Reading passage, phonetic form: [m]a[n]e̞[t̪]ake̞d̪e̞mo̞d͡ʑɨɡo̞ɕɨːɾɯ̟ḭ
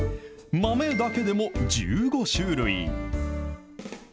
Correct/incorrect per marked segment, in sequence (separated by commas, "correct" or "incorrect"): correct, incorrect, incorrect